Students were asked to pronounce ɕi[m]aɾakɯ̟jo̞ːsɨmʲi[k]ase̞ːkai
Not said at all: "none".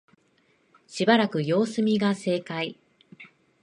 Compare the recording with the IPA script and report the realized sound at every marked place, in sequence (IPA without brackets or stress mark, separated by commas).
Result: b, ɡ